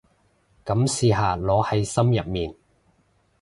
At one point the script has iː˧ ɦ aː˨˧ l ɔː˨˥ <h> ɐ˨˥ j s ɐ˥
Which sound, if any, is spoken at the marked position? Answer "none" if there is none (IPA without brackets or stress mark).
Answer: h